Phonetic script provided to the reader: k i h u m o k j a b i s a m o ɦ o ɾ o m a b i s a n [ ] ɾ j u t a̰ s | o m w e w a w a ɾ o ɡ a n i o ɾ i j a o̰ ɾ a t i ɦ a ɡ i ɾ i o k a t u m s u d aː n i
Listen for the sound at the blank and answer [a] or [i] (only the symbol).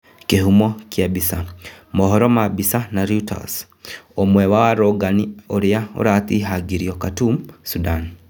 a